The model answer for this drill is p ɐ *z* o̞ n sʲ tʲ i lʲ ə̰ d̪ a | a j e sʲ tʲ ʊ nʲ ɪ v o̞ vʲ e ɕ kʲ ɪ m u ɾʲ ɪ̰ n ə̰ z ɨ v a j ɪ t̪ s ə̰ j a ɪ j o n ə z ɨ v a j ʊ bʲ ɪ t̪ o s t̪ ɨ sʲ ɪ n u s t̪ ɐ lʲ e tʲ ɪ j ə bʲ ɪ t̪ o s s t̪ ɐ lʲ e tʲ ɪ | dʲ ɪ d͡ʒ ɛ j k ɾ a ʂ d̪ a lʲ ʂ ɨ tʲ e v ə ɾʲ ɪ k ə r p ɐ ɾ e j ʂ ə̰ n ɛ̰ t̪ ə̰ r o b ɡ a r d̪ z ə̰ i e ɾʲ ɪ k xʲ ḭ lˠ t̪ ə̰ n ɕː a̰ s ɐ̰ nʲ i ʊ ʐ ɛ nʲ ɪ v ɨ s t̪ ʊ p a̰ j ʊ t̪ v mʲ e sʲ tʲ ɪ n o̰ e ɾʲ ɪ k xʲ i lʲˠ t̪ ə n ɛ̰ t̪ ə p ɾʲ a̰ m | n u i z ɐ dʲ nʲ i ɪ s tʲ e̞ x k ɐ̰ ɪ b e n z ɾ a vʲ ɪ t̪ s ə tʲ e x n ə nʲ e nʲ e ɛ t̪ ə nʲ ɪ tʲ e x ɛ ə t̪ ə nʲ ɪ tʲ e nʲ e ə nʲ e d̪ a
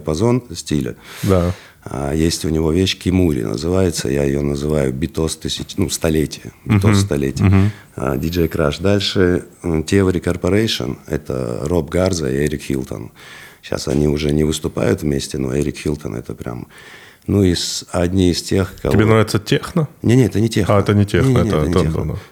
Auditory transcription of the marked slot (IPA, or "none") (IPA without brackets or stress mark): z